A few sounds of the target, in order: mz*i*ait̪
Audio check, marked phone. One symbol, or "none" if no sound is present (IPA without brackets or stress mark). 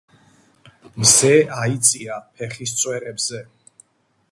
ɛ